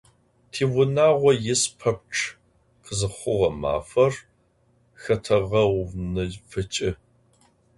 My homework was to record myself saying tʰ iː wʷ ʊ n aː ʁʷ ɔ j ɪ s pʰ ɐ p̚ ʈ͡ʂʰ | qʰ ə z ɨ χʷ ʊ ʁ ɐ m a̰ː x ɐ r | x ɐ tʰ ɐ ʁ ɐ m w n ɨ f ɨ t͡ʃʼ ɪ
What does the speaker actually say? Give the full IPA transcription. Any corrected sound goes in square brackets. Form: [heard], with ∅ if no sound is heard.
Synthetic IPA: tʰ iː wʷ ʊ n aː ʁʷ ɔ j ɪ s pʰ ɐ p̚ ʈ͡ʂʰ | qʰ ə z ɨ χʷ ʊ ʁ ɐ m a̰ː [f] ɐ r | x ɐ tʰ ɐ ʁ ɐ [∅] w n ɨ f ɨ t͡ʃʼ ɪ